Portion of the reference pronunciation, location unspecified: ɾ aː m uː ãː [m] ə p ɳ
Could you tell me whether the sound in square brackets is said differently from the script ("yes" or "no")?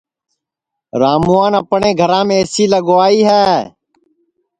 yes